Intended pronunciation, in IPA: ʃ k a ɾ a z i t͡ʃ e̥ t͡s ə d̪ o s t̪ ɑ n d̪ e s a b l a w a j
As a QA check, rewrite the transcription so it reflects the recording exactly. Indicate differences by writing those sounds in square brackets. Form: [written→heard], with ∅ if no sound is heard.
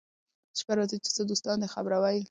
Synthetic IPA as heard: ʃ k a ɾ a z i t͡ʃ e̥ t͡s ə d̪ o s t̪ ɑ n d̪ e [s→x] a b [l→ɾ] a w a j